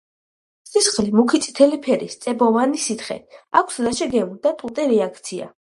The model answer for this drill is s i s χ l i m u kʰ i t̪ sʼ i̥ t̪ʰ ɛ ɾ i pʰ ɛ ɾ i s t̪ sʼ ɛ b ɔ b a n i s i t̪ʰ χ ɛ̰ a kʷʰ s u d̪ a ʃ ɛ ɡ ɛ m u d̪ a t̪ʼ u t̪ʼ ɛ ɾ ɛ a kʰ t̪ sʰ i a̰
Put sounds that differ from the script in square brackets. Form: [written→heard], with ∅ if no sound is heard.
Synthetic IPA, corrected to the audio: s i s χ l i m u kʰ i t̪ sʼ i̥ t̪ʰ ɛ [ɾ→l] i pʰ ɛ ɾ i s t̪ sʼ ɛ b ɔ [b→v] a n i s i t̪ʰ χ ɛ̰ a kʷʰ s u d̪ a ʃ ɛ ɡ ɛ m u d̪ a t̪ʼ u t̪ʼ ɛ ɾ ɛ a kʰ t̪ sʰ i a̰